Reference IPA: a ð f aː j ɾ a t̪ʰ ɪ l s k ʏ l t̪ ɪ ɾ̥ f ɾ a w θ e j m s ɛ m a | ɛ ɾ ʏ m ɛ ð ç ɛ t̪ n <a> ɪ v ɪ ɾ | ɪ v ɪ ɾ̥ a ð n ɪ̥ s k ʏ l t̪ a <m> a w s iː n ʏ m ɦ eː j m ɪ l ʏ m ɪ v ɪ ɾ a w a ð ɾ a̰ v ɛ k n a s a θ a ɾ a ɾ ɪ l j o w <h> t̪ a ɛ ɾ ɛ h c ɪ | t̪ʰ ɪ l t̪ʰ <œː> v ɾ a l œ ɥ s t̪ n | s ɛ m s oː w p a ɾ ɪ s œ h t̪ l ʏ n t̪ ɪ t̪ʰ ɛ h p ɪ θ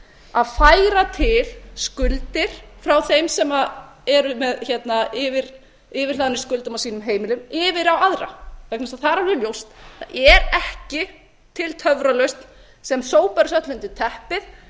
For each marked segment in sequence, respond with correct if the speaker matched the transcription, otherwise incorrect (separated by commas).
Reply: correct, correct, incorrect, incorrect